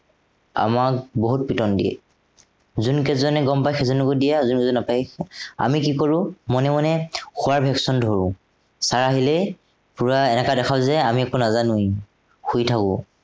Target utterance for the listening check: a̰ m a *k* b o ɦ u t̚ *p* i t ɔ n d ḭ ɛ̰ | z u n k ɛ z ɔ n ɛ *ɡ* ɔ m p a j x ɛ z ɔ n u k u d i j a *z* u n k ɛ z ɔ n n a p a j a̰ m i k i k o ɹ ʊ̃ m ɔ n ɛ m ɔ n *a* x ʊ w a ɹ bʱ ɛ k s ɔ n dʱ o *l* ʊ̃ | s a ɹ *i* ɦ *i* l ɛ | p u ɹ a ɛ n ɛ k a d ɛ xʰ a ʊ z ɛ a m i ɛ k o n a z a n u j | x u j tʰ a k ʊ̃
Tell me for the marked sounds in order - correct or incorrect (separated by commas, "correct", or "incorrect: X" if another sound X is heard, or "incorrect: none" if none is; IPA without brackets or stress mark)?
correct, correct, correct, correct, incorrect: ɛ, incorrect: ɹ, incorrect: a, correct